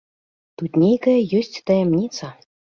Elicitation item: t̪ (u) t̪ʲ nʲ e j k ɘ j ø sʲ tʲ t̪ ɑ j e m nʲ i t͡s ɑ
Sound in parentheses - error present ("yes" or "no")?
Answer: no